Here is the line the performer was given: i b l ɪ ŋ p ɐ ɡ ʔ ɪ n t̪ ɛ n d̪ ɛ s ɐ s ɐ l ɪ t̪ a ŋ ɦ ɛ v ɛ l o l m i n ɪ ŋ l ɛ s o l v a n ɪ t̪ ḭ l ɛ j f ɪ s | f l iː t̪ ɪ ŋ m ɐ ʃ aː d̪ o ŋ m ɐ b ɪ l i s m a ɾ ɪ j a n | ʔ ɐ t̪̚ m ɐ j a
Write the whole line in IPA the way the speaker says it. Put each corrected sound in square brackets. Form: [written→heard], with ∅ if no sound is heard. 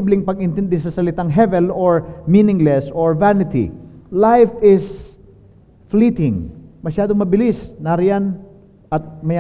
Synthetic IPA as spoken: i b l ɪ ŋ p ɐ ɡ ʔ ɪ n t̪ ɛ n d̪ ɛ s ɐ s ɐ l ɪ t̪ a ŋ ɦ ɛ v ɛ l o [l→ɹ] m i n ɪ ŋ l ɛ s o [l→ɹ] v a n ɪ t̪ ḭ l [ɛ→a] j f ɪ s | f l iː t̪ ɪ ŋ m ɐ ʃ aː d̪ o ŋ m ɐ b ɪ l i s [m→n] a ɾ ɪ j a n | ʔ ɐ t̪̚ m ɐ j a